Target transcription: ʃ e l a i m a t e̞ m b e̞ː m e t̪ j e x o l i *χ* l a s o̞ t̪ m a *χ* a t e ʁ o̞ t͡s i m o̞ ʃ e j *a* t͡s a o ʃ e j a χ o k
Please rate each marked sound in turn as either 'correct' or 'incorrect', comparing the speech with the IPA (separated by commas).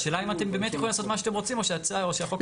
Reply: incorrect, incorrect, correct